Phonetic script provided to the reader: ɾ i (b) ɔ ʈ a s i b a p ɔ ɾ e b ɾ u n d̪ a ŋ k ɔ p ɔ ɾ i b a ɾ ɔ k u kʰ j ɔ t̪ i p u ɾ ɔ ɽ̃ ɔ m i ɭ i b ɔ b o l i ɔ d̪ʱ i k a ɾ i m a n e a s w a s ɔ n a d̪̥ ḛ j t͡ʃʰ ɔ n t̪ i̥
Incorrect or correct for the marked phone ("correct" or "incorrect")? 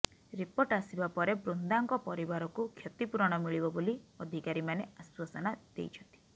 incorrect